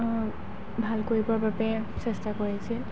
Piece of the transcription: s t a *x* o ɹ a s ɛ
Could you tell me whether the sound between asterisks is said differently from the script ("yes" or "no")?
yes